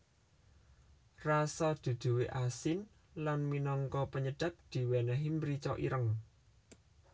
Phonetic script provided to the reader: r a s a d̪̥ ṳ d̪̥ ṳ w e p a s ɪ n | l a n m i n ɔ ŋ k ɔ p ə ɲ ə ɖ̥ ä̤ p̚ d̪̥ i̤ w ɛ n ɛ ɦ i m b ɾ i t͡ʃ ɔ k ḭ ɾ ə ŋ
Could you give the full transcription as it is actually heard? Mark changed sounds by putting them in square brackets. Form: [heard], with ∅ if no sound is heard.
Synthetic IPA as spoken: r a s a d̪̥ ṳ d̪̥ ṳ w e [ʔ] a s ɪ n | l a n m i n ɔ ŋ k ɔ p ə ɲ ə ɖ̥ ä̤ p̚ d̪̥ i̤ w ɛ n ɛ ɦ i m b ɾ i t͡ʃ ɔ [ʔ] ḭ ɾ ə ŋ